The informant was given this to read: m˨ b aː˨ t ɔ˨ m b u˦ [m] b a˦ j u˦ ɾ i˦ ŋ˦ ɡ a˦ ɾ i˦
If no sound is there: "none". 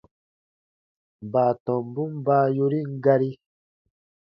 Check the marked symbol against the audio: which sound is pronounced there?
m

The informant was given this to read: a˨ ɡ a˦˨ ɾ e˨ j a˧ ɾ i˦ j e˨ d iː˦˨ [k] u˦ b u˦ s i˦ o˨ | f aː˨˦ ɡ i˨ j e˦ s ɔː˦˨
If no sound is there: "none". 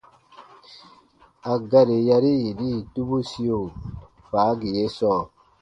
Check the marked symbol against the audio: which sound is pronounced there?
t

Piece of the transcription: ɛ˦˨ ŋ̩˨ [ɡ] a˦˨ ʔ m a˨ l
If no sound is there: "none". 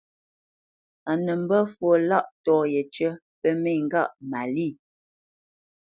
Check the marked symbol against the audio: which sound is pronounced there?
ɡ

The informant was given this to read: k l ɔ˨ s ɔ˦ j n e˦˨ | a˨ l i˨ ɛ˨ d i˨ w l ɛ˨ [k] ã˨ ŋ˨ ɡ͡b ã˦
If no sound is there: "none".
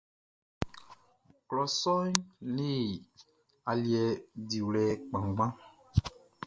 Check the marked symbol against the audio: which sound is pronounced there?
k͡p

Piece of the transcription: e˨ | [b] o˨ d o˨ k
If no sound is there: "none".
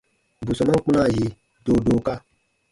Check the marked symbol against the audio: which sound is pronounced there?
d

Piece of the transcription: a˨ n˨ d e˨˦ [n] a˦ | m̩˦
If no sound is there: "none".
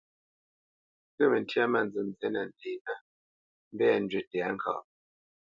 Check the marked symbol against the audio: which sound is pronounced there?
n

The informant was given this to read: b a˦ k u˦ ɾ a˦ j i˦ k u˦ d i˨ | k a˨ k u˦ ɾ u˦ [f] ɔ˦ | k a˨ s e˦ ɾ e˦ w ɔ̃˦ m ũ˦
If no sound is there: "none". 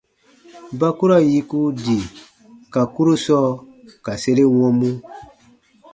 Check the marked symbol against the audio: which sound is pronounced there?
s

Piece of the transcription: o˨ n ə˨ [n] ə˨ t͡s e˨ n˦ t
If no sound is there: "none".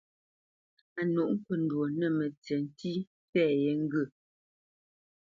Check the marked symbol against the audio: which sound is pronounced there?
m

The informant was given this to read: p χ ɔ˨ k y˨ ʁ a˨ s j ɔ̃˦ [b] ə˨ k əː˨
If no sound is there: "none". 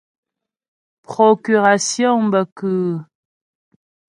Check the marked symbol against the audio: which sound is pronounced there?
b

